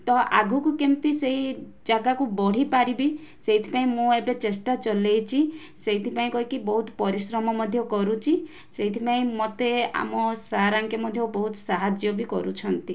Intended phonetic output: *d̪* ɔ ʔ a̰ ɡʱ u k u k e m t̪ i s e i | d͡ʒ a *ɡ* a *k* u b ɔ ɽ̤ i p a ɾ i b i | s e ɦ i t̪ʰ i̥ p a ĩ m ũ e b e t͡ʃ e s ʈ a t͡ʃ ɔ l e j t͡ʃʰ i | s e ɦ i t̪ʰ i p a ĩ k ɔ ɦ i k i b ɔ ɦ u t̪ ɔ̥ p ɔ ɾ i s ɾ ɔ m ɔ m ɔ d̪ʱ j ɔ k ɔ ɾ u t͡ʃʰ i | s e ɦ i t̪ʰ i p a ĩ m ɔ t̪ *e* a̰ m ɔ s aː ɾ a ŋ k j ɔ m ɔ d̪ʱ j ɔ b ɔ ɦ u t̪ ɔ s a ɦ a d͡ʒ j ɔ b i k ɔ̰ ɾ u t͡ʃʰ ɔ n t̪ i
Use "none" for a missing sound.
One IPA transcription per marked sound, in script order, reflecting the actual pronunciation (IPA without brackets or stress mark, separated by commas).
t̪, ɡ, k, e